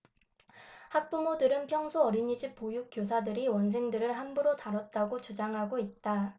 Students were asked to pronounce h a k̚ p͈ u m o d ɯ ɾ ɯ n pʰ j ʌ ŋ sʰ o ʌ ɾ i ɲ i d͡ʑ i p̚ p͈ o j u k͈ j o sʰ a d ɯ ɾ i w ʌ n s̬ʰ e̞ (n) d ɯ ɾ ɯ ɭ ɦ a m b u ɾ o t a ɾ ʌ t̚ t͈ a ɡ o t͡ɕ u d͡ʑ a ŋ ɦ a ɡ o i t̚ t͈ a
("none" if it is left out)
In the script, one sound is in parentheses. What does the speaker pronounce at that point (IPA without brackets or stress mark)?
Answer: ŋ